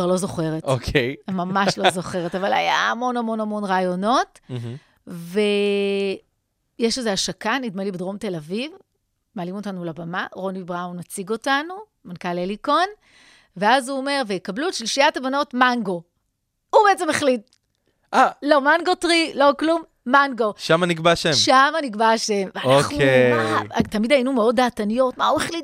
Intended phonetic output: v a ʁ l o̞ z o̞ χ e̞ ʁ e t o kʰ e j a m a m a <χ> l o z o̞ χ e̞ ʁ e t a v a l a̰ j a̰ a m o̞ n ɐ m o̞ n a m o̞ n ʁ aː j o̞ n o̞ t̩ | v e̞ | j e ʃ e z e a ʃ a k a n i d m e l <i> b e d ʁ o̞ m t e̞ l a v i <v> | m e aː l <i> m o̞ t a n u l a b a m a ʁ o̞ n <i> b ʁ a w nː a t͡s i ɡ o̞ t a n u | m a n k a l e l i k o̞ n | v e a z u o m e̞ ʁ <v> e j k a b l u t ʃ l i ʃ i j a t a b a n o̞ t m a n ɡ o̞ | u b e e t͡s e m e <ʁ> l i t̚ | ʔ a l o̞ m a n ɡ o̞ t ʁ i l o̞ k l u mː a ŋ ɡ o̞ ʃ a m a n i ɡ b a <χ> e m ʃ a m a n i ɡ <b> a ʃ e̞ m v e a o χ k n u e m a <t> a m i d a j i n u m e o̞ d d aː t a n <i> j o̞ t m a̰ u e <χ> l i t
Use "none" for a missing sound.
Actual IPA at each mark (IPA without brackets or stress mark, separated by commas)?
ʃ, i, v, i, i, v, χ, ʃ, b, t, i, χ